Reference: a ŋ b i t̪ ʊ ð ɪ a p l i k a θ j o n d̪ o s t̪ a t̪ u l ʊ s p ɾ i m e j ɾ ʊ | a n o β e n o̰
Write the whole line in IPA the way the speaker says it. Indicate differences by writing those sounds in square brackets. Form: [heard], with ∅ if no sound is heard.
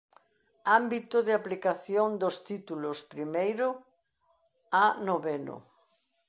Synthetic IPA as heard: a [m] b i t̪ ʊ ð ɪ a p l i k a θ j o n d̪ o s t̪ [i] t̪ u l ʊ s p ɾ i m e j ɾ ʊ | a n o β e n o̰